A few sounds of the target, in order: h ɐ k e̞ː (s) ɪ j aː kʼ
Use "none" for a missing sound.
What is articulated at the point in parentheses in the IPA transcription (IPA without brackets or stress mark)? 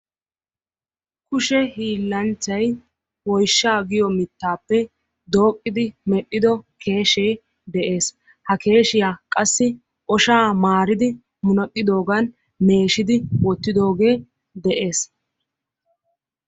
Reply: ʃ